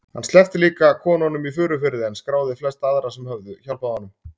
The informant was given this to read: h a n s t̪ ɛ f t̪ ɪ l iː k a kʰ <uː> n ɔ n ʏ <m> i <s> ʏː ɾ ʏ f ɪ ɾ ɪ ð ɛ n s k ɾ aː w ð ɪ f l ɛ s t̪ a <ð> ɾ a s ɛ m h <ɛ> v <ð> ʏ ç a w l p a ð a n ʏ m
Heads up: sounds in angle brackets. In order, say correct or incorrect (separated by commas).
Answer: incorrect, correct, incorrect, correct, incorrect, correct